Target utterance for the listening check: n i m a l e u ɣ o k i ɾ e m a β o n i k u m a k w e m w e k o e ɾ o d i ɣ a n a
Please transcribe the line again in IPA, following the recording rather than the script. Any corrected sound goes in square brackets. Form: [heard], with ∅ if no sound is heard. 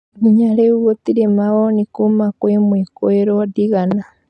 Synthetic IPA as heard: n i [ɲ] a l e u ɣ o [t] i ɾ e m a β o n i k u m a k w e m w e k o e ɾ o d i ɣ a n a